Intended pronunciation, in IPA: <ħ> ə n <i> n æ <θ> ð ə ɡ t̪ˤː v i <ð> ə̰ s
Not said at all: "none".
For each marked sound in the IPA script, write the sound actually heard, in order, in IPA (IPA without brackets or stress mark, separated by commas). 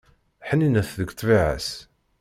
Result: ħ, i, θ, ʕ